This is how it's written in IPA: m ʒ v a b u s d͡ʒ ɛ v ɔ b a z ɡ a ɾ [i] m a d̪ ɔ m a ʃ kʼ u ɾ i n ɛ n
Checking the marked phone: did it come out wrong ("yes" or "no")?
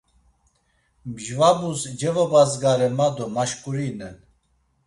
yes